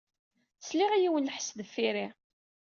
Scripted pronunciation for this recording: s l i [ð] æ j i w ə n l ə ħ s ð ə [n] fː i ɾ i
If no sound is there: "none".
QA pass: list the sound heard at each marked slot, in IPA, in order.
ʁ, none

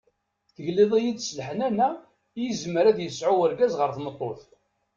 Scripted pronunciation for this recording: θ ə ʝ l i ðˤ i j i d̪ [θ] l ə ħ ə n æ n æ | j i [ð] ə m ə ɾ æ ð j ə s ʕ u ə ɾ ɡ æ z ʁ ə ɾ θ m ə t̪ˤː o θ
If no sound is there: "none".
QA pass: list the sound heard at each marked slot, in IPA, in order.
s, z

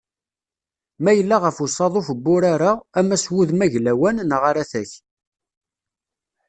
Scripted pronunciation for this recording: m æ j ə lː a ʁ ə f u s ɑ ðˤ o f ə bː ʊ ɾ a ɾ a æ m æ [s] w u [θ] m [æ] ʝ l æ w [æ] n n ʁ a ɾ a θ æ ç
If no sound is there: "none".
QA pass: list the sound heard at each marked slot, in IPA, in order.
s, ð, æ, æ

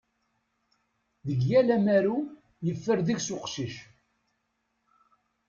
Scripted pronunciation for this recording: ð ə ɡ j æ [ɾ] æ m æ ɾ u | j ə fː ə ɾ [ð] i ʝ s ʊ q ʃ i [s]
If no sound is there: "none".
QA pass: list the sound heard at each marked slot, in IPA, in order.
l, ð, ʃ

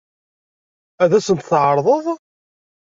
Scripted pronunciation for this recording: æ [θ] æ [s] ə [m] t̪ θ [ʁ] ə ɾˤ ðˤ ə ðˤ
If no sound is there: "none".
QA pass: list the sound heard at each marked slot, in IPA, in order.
ð, s, n, ʕ

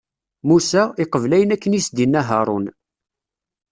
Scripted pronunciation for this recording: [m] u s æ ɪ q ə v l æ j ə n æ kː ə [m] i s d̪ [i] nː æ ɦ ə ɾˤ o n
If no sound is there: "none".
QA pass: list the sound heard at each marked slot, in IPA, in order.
m, n, i

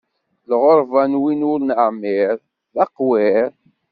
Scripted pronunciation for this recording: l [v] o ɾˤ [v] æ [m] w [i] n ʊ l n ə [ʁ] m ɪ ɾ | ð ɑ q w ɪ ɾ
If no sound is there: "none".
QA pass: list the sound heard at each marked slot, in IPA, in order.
ʁ, v, n, i, ʕ

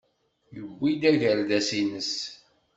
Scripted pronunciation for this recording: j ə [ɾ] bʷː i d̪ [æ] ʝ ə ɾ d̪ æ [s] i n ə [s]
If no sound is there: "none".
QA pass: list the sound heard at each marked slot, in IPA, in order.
none, æ, s, s

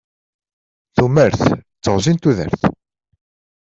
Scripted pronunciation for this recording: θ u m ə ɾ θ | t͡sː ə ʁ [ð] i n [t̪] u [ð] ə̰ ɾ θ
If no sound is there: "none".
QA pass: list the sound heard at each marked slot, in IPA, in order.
z, t̪, ð

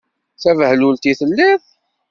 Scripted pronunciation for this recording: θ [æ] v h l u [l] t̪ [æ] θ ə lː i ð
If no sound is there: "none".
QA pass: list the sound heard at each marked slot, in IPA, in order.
æ, l, i

